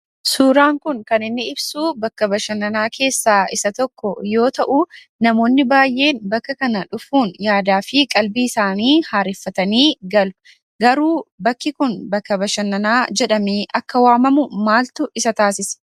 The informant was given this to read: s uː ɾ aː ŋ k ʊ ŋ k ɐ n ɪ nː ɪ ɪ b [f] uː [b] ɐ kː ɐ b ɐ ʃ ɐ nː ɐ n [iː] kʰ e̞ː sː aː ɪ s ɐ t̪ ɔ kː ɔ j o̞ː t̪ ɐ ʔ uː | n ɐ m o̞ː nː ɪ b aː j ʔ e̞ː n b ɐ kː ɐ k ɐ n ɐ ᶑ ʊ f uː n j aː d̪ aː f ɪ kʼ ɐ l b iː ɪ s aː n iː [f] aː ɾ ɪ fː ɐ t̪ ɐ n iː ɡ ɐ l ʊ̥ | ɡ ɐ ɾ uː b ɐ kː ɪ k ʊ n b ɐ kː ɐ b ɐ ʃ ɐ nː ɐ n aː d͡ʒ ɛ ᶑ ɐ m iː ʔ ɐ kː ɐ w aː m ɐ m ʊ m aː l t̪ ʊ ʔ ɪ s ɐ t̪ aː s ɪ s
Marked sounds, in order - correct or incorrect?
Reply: incorrect: s, correct, incorrect: aː, incorrect: h

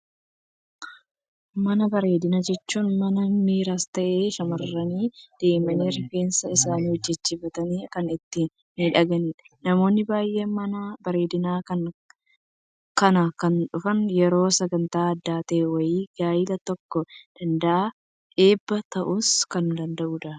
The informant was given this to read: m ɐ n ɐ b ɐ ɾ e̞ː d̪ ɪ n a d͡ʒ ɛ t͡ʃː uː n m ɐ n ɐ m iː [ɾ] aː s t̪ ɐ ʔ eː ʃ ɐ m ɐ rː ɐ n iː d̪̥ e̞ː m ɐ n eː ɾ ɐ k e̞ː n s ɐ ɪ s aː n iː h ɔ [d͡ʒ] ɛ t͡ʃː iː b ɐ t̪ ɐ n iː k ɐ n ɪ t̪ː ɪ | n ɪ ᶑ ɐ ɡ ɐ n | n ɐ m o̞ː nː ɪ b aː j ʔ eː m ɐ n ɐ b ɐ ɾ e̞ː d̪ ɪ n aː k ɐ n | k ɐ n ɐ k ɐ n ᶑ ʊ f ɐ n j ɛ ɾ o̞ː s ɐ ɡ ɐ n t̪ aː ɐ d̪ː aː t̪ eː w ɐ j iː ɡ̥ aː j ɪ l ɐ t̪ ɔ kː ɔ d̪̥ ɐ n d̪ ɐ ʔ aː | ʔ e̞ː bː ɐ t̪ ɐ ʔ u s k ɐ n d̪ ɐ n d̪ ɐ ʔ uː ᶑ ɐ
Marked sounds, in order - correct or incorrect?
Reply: correct, incorrect: d͡ʒː

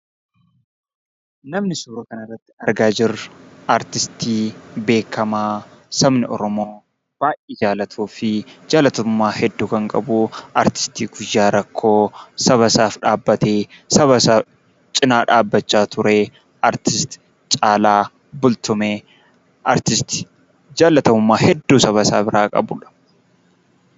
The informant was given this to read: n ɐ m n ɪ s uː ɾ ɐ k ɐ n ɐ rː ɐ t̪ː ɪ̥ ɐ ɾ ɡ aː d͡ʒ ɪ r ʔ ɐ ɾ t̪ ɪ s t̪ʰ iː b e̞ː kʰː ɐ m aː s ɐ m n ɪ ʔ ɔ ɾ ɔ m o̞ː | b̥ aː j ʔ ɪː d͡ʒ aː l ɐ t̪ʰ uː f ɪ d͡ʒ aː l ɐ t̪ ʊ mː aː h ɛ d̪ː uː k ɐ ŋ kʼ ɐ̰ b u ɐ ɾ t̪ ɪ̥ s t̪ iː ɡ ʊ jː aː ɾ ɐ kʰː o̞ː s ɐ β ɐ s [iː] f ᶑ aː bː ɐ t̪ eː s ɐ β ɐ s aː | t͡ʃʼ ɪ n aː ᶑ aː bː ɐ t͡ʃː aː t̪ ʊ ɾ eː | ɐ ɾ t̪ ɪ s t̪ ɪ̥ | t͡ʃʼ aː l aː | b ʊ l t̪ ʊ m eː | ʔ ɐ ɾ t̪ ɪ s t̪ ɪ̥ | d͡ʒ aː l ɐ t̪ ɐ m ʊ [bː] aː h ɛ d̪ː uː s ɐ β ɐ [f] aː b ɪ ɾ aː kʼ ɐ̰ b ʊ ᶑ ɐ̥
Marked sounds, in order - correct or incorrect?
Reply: incorrect: aː, incorrect: mː, incorrect: s

